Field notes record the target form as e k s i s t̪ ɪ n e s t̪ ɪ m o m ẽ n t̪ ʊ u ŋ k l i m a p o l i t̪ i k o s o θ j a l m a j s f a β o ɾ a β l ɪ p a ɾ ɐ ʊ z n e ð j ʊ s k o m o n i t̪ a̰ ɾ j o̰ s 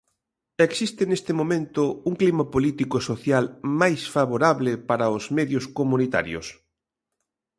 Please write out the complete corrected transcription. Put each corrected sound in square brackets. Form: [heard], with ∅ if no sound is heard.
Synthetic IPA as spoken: e k s i s t̪ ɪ n e s t̪ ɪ m o m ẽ n t̪ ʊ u ŋ k l i m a p o l i t̪ i k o s o θ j a l m a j s f a β o ɾ a β l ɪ p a ɾ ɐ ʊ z [m] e ð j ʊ s k o m [u] n i t̪ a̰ ɾ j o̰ s